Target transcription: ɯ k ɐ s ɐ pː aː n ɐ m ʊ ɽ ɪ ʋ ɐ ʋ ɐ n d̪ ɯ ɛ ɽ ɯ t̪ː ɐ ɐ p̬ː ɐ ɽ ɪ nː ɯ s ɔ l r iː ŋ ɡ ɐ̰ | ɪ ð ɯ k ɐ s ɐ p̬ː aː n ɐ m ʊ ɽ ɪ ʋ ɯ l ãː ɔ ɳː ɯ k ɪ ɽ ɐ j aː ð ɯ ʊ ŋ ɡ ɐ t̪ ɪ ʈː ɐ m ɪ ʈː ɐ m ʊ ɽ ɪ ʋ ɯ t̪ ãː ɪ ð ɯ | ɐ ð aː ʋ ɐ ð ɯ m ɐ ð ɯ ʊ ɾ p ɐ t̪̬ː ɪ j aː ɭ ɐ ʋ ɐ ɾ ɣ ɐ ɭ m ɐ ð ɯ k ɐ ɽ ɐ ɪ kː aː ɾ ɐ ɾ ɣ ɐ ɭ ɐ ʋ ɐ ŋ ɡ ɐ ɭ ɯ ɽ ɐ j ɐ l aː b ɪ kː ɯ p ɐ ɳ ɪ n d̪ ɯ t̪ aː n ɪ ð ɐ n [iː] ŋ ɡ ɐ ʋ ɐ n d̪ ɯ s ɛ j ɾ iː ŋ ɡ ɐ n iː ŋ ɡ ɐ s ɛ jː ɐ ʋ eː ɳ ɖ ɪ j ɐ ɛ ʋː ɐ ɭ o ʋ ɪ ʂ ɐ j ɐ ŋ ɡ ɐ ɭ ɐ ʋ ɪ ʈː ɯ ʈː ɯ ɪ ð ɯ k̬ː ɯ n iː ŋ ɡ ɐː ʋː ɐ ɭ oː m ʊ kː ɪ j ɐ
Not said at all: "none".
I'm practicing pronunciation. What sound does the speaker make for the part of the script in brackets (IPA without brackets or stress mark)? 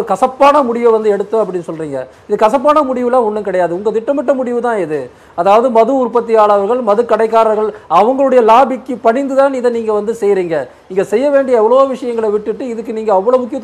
iː